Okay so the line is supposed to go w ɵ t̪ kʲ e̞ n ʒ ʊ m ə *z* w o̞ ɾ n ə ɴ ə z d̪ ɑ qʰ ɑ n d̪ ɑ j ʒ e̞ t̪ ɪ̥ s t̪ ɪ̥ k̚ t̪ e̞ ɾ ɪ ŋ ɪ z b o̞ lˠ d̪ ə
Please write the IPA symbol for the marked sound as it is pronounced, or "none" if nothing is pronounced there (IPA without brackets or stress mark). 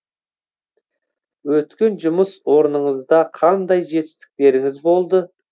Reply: s